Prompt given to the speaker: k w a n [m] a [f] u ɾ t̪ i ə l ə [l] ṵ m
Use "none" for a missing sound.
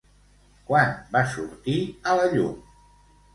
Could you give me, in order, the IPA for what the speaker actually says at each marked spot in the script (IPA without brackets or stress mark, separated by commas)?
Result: b, s, ʎ